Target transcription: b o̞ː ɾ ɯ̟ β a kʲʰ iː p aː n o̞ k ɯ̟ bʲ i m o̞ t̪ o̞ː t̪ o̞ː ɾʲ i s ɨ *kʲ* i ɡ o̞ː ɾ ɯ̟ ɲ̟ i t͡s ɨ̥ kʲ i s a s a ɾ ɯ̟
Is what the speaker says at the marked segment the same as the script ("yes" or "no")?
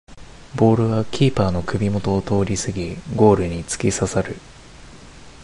no